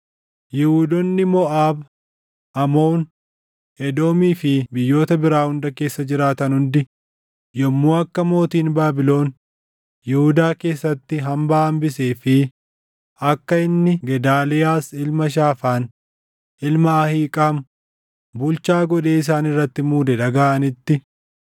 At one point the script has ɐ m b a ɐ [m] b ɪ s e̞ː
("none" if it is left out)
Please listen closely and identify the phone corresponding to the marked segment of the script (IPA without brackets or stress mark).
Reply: m